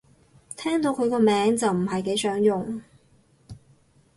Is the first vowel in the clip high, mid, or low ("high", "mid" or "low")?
mid